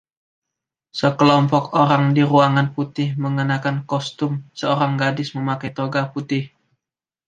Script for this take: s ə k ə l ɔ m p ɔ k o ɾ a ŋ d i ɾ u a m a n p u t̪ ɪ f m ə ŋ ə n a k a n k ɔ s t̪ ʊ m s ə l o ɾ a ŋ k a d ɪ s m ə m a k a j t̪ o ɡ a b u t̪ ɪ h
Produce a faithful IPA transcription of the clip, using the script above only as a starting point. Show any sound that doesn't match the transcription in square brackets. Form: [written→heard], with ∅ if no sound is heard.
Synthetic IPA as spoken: s ə k ə l ɔ m p ɔ k o ɾ a ŋ d i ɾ u a [m→ŋ] a n p u t̪ ɪ [f→h] m ə ŋ ə n a k a n k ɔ s t̪ ʊ m s ə [l→∅] o ɾ a ŋ [k→ɡ] a d ɪ s m ə m a k a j t̪ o ɡ a [b→p] u t̪ ɪ h